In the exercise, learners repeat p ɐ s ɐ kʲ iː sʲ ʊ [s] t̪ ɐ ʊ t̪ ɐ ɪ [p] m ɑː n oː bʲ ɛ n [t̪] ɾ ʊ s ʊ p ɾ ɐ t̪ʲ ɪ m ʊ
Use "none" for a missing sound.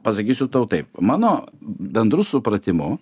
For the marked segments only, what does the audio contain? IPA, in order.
none, p, d̪

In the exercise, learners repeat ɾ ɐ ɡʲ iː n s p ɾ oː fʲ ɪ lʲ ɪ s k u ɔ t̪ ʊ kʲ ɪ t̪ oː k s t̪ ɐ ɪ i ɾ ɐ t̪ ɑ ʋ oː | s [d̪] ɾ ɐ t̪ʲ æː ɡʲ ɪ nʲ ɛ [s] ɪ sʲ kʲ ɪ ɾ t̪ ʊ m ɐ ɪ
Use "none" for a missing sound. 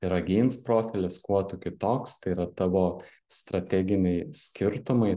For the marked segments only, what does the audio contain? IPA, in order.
t̪, none

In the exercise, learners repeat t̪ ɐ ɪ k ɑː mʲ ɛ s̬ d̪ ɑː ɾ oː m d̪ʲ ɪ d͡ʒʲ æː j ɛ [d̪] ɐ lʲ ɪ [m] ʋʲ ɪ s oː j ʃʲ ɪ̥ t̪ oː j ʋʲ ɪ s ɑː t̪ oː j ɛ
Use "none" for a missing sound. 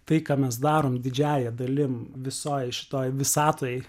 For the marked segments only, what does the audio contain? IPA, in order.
d̪, m

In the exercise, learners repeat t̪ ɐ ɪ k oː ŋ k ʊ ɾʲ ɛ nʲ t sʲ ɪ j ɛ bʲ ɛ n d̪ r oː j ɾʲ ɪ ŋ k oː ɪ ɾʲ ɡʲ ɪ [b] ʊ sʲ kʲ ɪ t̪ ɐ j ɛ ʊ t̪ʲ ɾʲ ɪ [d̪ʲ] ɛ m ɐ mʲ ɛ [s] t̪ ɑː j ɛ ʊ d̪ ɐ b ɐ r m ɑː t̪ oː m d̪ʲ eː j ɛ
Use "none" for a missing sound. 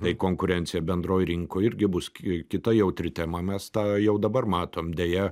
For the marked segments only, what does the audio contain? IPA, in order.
b, t̪ʲ, s

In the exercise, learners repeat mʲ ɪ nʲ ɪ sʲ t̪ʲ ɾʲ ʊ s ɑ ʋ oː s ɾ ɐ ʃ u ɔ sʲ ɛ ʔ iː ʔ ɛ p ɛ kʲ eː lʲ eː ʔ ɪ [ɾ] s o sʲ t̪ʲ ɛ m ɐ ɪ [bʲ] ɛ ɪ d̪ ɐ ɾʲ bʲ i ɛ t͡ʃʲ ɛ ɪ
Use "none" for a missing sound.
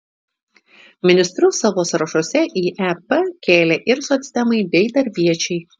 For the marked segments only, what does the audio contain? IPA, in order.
ɾ, bʲ

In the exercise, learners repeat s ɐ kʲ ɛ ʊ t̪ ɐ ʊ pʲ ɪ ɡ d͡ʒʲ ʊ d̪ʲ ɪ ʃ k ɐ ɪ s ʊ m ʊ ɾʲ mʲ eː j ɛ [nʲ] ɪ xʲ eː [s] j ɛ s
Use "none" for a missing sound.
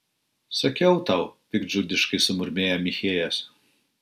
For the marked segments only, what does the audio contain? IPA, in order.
mʲ, none

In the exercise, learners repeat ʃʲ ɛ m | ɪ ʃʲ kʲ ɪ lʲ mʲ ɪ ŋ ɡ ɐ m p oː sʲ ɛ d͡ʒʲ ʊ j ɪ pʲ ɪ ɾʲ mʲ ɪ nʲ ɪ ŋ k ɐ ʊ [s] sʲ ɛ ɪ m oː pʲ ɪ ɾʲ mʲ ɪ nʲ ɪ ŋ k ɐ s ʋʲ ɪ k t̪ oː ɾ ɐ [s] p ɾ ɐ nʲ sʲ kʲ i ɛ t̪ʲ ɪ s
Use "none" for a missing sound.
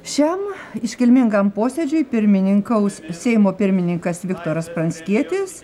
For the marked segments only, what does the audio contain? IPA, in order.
s, s

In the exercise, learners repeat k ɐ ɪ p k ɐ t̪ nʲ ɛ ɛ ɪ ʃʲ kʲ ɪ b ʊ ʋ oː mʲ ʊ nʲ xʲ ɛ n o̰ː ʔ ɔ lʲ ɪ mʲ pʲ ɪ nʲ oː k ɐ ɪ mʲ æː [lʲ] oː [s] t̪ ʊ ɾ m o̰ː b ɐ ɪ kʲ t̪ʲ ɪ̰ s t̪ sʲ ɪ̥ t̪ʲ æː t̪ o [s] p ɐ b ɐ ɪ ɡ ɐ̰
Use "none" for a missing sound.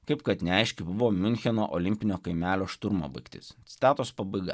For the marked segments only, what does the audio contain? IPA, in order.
lʲ, ʃ, s

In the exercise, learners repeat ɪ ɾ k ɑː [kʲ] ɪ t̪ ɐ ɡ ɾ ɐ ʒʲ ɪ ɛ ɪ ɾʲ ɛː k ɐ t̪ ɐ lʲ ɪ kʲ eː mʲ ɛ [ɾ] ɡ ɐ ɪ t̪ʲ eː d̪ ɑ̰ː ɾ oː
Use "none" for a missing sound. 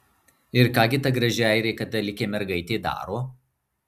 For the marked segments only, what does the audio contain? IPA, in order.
ɡʲ, ɾ

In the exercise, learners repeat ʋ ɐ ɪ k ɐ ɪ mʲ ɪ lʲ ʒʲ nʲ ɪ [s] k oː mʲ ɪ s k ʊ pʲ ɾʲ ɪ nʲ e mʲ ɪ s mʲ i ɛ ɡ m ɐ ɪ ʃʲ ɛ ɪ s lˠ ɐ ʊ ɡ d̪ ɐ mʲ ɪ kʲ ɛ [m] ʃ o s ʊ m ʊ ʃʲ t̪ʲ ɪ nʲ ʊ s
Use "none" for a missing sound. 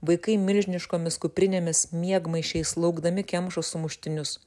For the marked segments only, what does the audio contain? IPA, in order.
ʃ, m

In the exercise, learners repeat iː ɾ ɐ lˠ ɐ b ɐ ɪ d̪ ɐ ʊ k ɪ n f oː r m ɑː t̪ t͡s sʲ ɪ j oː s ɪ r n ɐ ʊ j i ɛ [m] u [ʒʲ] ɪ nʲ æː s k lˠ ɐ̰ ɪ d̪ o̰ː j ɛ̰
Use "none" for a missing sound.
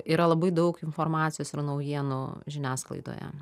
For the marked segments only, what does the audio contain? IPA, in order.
n, ʒʲ

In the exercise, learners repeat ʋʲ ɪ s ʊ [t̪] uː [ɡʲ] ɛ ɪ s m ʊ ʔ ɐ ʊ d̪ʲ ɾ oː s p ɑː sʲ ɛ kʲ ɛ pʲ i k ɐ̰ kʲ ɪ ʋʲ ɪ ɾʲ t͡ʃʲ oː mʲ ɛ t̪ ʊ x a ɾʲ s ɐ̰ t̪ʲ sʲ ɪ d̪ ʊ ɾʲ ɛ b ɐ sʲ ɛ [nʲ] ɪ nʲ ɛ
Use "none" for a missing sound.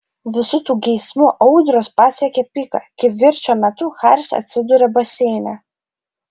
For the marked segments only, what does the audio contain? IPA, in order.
t̪, ɡʲ, none

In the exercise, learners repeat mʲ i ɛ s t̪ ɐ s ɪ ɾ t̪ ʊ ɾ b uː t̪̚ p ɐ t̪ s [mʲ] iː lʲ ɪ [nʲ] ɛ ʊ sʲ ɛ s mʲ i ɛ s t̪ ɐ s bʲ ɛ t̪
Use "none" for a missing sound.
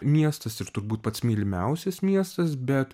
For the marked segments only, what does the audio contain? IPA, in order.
mʲ, mʲ

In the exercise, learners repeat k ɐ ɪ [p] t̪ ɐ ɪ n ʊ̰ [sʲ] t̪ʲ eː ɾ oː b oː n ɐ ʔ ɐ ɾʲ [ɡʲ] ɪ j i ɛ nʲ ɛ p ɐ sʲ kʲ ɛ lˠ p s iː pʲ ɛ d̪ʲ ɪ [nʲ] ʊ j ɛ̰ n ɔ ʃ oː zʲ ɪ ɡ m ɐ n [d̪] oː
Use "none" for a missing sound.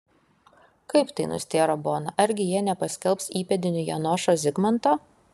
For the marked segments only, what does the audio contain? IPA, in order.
p, sʲ, ɡʲ, nʲ, t̪

